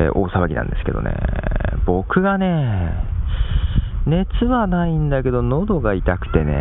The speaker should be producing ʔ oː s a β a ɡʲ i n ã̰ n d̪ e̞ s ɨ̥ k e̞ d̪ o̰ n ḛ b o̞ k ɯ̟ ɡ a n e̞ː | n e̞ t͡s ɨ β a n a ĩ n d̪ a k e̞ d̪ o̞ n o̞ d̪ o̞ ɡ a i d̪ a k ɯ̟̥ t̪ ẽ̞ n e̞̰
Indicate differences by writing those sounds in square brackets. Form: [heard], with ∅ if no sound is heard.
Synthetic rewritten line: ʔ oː s a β a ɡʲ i n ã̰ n d̪ e̞ s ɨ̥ k e̞ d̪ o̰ n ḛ b o̞ k ɯ̟ ɡ a n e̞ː | n e̞ t͡s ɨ β a n a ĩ n d̪ a k e̞ d̪ o̞ n o̞ d̪ o̞ ɡ a i [t̪] a k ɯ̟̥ t̪ [e̞] n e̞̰